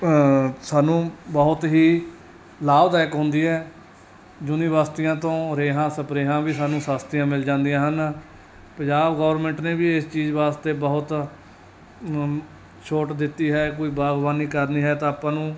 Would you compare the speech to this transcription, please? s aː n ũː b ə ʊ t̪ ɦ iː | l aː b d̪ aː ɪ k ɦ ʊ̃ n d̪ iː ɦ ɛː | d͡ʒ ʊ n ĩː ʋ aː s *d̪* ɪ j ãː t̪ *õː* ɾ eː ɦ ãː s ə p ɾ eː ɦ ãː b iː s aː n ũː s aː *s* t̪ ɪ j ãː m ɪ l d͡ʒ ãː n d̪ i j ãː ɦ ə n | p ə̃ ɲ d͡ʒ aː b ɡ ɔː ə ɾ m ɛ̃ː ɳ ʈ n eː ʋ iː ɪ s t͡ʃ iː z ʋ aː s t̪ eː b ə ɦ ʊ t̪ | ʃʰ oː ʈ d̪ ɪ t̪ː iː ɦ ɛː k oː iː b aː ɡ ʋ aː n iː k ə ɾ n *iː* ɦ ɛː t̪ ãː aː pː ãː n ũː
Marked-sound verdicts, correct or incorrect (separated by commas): incorrect, correct, correct, correct